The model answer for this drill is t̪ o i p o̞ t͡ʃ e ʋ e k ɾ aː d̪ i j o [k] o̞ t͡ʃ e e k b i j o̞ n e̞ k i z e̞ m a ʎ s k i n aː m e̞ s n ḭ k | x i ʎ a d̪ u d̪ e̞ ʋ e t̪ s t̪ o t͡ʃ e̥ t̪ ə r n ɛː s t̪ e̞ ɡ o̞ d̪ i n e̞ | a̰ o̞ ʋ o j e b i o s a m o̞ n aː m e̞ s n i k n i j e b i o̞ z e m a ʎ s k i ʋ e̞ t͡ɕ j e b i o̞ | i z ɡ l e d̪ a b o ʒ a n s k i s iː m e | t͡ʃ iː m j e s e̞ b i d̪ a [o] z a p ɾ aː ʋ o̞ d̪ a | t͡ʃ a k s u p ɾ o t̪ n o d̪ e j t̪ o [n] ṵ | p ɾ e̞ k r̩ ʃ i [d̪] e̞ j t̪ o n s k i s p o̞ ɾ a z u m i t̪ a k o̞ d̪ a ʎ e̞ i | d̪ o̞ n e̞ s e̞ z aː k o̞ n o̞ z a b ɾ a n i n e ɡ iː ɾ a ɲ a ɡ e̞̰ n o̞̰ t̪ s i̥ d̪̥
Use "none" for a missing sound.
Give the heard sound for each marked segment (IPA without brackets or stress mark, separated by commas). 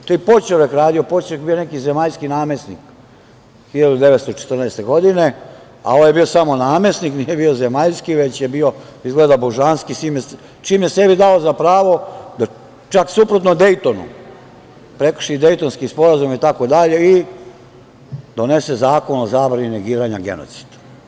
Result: p, o, n, d̪